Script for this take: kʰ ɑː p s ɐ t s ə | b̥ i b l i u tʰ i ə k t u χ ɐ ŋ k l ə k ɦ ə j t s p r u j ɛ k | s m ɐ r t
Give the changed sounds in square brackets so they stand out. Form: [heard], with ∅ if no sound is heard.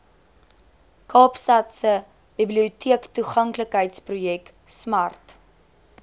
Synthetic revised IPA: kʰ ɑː p s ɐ t s ə | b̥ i b l i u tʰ i ə k t u χ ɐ ŋ k l ə k ɦ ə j t s p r u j ɛ k | s m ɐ r t

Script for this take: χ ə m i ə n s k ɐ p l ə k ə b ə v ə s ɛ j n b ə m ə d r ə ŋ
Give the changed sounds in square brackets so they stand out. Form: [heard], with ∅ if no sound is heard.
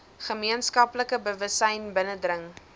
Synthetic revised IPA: χ ə m i ə n s k ɐ p l ə k ə b ə v ə s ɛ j n b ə [n] ə d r ə ŋ

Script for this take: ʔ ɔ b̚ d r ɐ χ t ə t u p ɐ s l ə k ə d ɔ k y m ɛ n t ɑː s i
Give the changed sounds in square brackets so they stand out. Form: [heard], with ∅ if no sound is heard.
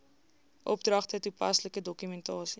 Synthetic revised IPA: ʔ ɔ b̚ d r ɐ χ t ə t u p ɐ s l ə k ə d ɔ k y m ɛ n t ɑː s i

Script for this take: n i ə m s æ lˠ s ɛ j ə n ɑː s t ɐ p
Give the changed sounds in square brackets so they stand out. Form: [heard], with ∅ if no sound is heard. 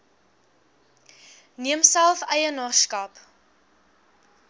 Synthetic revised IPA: n i ə m s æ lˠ [f] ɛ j ə n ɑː s [k] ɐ p

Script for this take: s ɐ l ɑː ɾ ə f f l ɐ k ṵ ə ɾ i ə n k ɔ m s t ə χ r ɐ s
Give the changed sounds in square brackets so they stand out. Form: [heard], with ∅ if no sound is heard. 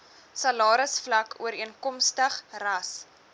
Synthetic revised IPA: s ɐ l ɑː ɾ ə [s] f l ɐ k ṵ ə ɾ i ə n k ɔ m s t ə χ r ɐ s

